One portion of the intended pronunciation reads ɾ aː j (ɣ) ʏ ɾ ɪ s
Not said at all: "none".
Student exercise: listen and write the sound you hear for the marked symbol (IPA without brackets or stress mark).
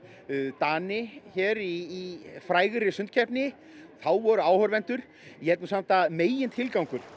ɣ